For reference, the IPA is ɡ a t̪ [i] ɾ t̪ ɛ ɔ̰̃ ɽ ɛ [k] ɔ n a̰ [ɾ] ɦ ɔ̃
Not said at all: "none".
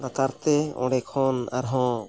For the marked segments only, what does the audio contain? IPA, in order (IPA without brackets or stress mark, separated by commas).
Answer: a, kʰ, ɾ